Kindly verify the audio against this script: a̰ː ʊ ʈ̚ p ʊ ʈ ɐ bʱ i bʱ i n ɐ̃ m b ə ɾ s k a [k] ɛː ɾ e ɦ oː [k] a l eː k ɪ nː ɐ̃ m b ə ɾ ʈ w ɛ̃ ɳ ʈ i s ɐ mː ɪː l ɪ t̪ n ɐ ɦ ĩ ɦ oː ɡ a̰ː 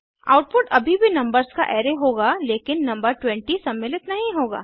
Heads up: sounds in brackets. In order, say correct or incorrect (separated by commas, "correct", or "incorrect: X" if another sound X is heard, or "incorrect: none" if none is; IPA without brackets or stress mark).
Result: incorrect: ʔ, incorrect: ɡ